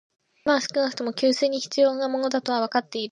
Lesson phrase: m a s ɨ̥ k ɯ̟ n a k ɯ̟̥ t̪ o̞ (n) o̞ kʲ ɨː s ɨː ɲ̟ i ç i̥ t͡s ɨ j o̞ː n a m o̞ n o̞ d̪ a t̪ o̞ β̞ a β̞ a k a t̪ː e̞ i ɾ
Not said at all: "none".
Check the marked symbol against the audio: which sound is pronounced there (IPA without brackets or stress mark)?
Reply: m